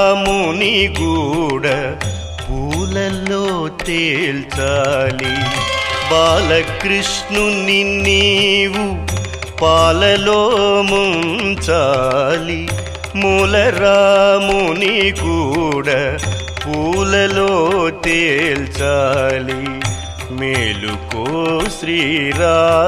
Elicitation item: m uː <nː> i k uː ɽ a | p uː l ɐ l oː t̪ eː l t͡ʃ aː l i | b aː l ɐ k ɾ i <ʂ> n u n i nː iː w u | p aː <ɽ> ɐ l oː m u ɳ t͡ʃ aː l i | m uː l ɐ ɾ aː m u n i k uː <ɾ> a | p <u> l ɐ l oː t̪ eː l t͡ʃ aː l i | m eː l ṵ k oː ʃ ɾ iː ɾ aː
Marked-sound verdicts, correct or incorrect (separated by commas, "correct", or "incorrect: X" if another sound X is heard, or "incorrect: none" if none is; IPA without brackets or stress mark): incorrect: n, correct, incorrect: l, incorrect: ɽ, incorrect: uː